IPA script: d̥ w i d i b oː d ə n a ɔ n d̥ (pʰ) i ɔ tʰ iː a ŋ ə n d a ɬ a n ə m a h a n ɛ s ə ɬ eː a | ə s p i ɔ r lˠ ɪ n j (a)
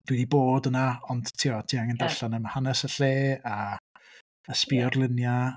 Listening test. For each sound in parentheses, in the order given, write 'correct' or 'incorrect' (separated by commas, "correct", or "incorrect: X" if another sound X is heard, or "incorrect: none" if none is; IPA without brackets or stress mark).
incorrect: tʰ, correct